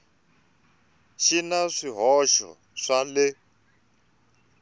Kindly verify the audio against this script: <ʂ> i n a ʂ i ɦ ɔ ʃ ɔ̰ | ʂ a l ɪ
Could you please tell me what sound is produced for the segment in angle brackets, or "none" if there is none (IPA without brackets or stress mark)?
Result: ʃ